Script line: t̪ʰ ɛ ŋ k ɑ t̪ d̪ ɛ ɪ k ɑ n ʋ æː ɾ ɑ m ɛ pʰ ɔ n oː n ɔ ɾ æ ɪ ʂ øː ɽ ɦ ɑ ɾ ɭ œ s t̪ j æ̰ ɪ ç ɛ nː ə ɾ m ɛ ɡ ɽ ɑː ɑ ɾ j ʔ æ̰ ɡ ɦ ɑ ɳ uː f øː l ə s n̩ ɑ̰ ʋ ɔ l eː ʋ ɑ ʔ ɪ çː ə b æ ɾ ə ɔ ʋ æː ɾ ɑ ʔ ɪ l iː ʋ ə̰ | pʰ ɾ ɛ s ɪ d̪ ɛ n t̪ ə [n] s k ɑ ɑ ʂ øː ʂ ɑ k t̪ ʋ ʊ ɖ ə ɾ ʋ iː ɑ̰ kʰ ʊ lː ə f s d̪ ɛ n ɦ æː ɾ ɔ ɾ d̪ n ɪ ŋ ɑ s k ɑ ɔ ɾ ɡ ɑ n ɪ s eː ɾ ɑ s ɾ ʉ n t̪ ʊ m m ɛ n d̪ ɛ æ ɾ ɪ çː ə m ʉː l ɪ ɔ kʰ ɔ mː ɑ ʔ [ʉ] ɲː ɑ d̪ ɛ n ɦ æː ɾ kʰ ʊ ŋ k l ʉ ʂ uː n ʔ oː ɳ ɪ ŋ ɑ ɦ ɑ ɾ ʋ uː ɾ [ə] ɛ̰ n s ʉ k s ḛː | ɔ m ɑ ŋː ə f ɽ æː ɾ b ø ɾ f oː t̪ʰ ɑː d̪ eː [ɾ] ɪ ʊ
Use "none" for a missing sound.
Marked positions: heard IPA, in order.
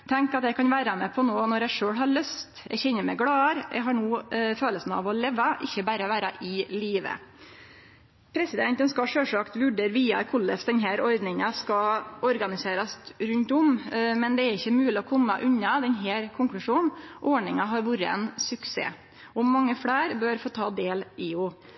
n, ʉ, ə, l

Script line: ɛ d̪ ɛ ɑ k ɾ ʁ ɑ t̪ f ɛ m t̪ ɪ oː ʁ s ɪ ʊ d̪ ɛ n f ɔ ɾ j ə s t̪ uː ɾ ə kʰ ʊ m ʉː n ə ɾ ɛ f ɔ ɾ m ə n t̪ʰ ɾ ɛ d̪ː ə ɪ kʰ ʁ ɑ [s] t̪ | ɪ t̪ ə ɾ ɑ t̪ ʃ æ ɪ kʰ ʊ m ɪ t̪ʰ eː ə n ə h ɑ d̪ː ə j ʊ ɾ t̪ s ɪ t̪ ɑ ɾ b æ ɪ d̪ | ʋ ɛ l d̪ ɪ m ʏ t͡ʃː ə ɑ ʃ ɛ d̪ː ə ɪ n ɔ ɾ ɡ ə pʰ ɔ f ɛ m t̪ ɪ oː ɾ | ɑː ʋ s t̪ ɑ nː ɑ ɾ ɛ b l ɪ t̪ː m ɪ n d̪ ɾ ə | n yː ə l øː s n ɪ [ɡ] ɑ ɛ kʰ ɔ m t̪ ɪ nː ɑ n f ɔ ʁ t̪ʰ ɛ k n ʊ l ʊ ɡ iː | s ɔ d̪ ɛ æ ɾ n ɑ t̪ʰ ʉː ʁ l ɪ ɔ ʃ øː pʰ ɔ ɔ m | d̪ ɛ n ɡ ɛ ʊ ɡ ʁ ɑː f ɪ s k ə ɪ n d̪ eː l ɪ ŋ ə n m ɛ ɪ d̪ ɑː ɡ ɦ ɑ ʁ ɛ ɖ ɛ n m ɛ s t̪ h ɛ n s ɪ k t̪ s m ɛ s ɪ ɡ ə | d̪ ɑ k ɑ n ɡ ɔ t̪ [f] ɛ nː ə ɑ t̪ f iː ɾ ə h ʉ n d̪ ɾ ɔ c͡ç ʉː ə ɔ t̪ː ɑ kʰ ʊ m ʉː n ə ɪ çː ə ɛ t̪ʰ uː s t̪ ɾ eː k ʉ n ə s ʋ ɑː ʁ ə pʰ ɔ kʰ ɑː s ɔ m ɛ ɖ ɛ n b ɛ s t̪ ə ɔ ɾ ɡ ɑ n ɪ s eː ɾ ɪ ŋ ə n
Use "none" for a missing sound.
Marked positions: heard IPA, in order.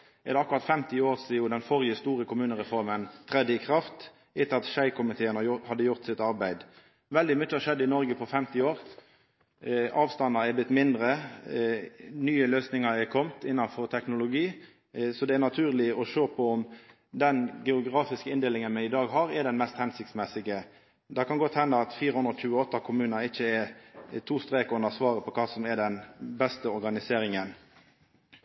f, ŋ, h

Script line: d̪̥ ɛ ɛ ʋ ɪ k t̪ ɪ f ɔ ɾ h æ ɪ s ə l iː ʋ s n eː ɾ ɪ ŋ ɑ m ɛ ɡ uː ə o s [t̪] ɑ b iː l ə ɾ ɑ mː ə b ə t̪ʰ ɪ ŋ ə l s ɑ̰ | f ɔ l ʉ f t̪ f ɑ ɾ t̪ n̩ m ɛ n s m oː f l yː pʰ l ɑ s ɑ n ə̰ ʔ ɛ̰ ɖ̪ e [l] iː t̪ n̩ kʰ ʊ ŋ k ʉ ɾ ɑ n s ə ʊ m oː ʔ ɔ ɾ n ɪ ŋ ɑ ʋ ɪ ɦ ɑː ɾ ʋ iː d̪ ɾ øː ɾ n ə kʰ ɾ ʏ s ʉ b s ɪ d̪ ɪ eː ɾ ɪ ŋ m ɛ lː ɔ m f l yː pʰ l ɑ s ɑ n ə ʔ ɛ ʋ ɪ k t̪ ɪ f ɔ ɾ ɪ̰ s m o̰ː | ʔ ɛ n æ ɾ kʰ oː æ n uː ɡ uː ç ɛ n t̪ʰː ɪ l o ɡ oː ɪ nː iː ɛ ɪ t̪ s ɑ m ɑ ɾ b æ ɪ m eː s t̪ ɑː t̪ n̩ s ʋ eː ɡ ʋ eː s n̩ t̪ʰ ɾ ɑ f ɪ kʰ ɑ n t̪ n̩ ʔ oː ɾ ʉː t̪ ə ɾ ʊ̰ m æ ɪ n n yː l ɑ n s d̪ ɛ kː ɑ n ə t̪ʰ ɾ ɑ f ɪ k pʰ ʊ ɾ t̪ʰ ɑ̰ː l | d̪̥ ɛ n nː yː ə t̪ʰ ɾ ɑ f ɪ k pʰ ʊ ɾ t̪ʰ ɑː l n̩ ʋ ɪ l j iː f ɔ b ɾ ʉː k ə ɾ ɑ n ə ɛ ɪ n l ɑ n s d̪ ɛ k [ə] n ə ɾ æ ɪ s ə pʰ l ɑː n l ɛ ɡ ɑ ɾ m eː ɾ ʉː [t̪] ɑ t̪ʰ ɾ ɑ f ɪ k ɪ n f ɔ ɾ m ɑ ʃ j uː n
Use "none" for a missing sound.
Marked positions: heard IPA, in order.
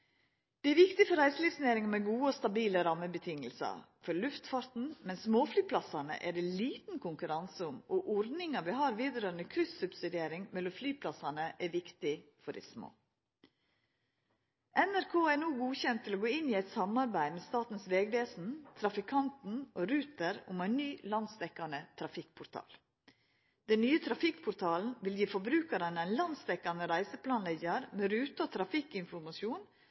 t̪, l, ɑ, t̪

